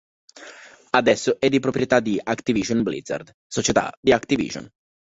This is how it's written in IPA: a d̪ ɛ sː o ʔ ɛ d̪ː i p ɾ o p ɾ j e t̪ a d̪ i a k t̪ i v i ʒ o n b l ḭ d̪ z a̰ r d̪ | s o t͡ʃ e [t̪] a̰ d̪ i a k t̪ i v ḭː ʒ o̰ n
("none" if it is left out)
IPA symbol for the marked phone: t̪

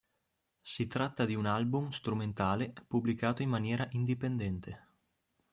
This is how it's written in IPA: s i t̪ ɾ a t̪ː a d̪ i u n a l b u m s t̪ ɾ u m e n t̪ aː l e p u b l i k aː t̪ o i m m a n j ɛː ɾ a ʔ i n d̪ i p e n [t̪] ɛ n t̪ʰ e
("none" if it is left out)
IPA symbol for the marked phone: d̪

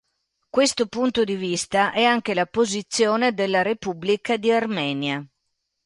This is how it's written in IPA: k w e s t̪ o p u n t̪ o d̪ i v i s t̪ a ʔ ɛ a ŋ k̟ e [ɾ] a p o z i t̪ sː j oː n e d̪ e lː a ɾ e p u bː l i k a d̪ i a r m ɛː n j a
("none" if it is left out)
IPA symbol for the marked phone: l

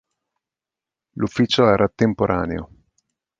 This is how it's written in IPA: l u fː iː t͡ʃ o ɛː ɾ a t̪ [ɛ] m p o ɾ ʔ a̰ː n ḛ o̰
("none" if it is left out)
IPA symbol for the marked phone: e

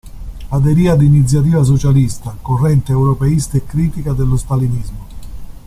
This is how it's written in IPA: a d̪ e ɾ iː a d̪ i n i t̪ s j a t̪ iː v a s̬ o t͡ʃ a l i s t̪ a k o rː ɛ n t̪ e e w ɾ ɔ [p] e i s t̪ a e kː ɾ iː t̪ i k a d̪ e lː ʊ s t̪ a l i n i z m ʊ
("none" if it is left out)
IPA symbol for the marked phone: p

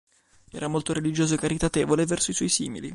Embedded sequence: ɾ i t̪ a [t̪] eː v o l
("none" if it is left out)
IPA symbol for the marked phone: t̪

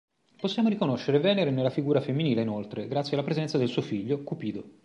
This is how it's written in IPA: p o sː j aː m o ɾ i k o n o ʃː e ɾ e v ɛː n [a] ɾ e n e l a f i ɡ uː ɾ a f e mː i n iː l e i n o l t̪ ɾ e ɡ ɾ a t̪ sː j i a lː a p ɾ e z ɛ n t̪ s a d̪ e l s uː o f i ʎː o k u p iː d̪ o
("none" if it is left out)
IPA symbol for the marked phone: e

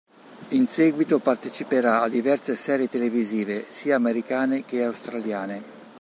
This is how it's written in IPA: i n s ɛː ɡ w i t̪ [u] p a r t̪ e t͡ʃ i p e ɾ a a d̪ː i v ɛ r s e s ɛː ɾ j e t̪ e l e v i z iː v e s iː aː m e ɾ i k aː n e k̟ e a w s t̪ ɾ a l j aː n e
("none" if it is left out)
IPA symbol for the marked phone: o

